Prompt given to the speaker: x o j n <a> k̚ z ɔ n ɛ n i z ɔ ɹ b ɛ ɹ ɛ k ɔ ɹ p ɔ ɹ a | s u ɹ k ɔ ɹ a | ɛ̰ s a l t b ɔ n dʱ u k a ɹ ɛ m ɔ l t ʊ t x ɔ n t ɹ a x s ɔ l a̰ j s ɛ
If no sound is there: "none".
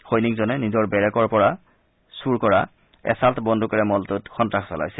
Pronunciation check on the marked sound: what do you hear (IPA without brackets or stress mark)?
i